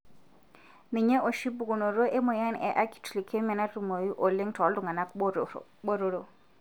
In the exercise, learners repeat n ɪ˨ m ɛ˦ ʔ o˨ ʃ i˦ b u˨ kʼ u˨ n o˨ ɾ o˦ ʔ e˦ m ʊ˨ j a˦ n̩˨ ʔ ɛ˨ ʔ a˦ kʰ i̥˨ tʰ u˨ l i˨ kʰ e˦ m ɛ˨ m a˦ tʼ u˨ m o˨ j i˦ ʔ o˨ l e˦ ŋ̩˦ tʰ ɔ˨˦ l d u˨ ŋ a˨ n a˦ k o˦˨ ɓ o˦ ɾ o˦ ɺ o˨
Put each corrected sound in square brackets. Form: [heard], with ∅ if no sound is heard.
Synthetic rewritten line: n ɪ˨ [ɲ] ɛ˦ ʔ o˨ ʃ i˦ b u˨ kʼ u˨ n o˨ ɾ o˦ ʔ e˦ m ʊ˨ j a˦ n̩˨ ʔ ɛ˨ ʔ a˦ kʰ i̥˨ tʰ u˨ l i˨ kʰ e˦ m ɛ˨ [n] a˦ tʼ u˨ m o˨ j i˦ ʔ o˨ l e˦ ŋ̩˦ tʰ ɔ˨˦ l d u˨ ŋ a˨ n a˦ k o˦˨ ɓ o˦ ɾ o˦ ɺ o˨